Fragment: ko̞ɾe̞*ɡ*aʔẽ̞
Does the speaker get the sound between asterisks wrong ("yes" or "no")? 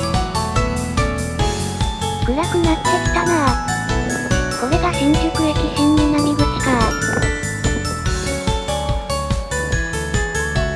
no